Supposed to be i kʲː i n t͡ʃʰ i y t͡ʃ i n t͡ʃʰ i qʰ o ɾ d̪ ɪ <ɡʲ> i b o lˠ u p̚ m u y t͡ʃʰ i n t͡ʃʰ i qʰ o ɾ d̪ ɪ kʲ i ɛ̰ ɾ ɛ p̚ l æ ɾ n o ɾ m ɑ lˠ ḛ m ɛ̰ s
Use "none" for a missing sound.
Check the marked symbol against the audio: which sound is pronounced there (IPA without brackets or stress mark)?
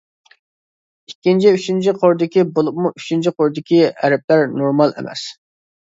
kʲ